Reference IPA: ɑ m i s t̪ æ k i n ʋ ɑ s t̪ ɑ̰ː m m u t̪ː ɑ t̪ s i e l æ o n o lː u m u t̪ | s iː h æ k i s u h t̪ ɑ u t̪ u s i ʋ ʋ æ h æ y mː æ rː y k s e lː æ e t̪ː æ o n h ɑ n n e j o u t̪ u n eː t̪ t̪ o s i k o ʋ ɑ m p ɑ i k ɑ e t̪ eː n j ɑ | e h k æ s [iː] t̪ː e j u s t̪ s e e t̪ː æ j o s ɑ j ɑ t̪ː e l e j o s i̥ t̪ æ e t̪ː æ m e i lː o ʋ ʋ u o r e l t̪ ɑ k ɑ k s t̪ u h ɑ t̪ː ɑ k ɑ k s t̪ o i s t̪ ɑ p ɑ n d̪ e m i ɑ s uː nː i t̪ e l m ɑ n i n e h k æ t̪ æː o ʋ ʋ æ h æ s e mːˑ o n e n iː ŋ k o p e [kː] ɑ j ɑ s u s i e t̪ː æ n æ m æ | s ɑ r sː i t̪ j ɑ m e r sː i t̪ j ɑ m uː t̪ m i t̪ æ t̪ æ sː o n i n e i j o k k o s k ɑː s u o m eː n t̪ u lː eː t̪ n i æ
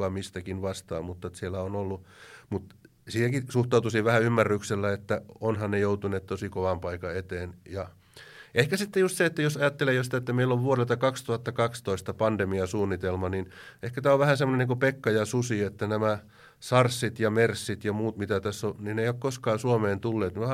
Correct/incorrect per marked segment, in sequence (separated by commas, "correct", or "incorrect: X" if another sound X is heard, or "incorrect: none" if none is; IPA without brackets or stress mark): incorrect: i, correct